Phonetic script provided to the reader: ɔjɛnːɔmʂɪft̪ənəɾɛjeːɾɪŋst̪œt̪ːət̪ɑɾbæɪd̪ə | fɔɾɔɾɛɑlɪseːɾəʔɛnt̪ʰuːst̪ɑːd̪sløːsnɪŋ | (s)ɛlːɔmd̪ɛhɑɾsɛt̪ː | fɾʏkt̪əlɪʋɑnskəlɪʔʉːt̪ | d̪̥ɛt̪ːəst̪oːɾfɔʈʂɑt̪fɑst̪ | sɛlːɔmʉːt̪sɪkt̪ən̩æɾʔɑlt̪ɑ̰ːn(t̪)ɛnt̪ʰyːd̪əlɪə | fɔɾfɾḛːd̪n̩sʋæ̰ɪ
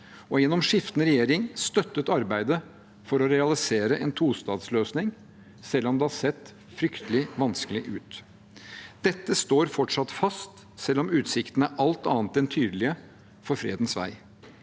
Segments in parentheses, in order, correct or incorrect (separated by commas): correct, correct